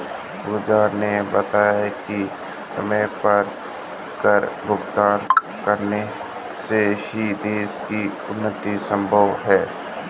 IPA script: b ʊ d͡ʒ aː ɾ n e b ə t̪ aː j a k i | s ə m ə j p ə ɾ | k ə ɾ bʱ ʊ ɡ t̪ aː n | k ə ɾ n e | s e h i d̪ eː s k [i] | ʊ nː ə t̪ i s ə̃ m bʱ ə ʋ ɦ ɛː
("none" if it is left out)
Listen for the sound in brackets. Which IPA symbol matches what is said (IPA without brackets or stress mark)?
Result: i